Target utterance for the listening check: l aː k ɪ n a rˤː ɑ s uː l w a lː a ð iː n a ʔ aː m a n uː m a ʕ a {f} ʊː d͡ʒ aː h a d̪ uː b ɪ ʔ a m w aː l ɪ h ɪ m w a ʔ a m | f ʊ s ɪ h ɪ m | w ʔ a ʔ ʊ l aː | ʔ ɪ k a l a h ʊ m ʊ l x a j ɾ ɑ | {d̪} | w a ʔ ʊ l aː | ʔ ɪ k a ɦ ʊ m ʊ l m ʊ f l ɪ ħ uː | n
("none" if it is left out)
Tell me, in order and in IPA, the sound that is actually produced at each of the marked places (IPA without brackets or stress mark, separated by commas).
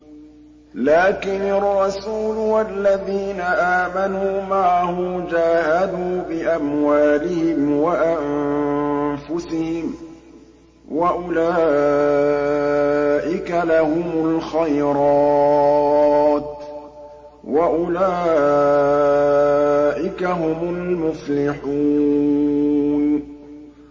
h, t̪